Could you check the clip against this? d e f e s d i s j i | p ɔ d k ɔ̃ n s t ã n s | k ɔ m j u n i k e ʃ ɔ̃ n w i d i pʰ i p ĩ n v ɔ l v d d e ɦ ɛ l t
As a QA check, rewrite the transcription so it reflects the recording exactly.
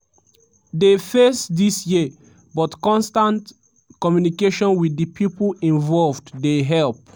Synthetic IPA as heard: d e f e s d i s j i | b ɔ t k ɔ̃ n s t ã n t | k ɔ m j u n i k e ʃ ɔ̃ n w i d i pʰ i p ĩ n v ɔ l v d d e ɦ ɛ l p